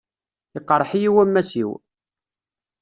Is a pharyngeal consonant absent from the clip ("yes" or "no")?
no